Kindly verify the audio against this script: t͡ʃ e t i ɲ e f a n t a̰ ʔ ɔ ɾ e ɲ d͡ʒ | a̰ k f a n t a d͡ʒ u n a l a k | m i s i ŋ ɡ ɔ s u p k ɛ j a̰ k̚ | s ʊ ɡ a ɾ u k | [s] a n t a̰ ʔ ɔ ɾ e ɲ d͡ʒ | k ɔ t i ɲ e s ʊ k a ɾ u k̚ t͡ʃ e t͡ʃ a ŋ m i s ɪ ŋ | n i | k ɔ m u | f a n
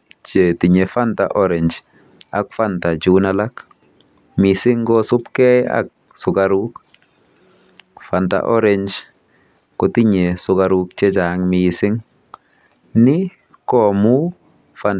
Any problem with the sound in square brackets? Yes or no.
yes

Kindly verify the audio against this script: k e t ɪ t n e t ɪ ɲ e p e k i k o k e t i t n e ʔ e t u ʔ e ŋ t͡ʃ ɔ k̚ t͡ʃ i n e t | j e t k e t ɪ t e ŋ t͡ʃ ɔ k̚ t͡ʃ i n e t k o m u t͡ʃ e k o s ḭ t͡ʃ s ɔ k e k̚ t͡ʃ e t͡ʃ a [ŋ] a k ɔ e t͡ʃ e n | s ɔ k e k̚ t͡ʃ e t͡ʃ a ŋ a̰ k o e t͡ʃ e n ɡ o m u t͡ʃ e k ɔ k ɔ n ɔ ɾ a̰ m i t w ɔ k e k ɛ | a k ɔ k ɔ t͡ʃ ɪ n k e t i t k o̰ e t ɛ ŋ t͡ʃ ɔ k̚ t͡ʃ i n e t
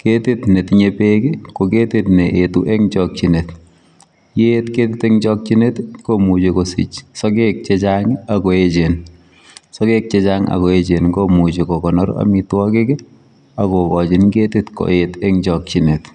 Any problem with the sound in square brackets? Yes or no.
no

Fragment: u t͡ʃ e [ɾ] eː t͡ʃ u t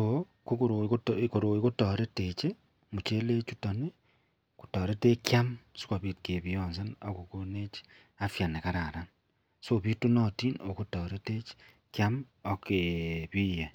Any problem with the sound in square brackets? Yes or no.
yes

